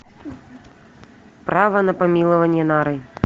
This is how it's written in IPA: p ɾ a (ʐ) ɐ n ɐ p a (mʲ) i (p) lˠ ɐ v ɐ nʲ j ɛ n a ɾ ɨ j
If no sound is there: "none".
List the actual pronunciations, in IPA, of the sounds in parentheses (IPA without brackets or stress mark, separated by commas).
v, mʲ, none